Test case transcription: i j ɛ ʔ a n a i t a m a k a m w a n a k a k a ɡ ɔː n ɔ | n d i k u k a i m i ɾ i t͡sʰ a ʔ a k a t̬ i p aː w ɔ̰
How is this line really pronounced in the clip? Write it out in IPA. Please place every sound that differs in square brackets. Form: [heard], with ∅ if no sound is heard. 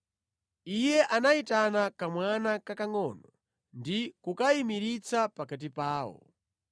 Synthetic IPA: i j ɛ ʔ a n a i t a [n] a k a m w a n a k a k a [ŋ] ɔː n ɔ | n d i k u k a i m i ɾ i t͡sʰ a [p] a k a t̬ i p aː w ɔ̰

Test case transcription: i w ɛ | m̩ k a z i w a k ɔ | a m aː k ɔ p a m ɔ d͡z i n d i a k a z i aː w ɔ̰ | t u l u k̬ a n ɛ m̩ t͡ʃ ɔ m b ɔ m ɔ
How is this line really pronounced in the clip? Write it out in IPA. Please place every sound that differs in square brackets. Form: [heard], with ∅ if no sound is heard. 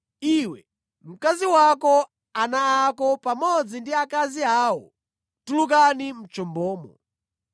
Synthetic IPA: i w ɛ | m̩ k a z i w a k ɔ | a [n] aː k ɔ p a m ɔ d͡z i n d i a k a z i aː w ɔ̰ | t u l u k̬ a n [i] m̩ t͡ʃ ɔ m b [ɔː] m ɔ

